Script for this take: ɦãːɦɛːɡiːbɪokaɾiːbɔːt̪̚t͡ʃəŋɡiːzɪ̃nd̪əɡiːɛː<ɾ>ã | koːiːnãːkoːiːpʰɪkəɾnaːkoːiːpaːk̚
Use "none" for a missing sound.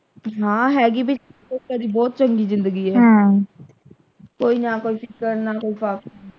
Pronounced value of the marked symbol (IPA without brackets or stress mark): none